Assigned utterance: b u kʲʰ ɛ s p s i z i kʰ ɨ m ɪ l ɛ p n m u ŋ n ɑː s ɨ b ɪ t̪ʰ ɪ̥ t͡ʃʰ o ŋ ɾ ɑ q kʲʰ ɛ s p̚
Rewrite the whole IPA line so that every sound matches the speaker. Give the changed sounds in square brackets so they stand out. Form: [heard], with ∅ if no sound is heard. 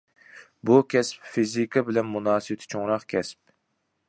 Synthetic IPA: b u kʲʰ ɛ s p [f] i z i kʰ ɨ [b] ɪ l ɛ [∅] n m u [∅] n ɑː s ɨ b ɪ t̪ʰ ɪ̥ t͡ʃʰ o ŋ ɾ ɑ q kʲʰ ɛ s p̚